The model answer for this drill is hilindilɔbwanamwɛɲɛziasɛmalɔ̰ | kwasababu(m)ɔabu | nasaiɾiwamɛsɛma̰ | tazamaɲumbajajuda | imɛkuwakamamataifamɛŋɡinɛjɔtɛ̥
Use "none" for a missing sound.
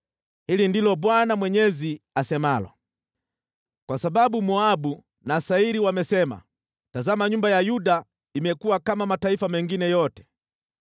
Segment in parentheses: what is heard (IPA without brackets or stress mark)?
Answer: m